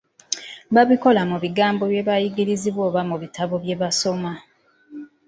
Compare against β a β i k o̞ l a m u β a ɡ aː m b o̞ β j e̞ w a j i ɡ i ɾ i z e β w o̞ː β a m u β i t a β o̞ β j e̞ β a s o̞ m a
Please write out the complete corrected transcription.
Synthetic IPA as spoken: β a β i k o̞ l a m u β i ɡ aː m b o̞ β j e̞ β a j i ɡ i ɾ i z i β w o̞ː β a m u β i t a β o̞ β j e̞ β a s o̞ m a